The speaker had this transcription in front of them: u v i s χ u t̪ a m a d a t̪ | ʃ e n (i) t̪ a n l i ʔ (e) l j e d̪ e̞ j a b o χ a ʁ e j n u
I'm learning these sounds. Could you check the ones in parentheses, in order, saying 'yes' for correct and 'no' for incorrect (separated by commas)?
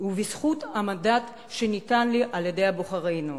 yes, no